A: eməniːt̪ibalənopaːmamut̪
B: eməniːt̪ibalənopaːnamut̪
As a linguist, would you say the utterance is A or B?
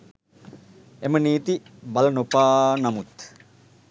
B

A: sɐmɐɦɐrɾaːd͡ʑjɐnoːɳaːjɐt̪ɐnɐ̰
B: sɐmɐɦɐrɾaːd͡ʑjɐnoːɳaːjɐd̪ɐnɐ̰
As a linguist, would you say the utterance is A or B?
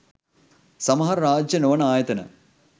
A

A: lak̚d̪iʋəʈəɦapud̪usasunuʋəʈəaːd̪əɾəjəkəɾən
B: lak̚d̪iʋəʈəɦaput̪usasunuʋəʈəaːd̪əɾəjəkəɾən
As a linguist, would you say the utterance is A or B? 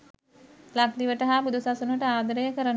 A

